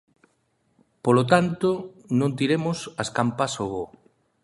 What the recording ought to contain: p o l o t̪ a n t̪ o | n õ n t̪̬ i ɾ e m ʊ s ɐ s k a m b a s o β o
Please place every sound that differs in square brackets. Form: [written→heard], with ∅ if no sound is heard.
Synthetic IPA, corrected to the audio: p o l o t̪ a n t̪ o | n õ n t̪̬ i ɾ e m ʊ s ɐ s k a m [b→p] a s o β o